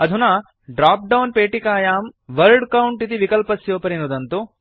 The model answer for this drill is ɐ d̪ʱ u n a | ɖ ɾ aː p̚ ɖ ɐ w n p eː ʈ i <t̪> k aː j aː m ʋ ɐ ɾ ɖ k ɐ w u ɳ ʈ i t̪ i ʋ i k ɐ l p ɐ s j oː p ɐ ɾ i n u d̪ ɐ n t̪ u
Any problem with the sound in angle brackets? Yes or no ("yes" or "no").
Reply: yes